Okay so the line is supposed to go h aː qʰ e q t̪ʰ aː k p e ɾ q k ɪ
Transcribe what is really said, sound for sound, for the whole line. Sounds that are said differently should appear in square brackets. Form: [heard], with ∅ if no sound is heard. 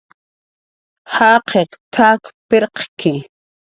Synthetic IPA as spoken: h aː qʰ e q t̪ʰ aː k p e ɾ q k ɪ